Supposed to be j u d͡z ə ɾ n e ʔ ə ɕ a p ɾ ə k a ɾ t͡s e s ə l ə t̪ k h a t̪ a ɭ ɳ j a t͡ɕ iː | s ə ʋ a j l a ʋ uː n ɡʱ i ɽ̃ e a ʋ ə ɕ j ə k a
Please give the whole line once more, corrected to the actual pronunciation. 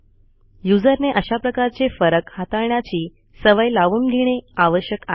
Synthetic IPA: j u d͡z ə ɾ n e ʔ ə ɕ a p ɾ ə k a ɾ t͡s e f ə ɾ ə k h a t̪ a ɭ ɳ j a t͡ɕ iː | s ə ʋ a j l a ʋ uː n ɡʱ i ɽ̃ e a ʋ ə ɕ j ə k a